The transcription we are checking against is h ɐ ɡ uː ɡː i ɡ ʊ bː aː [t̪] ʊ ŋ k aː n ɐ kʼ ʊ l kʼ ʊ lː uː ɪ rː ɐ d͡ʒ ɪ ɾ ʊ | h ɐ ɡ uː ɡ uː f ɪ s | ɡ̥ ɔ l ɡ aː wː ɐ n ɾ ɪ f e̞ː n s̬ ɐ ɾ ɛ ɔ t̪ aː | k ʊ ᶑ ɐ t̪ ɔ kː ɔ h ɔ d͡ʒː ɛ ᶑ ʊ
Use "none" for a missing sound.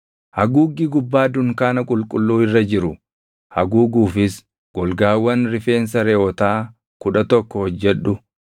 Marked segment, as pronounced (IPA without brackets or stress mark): d̪